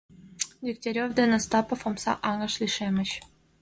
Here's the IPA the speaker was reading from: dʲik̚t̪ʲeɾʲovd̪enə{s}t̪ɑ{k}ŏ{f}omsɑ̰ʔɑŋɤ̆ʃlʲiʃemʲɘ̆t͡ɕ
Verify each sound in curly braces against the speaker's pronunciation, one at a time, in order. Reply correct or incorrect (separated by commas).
correct, incorrect, correct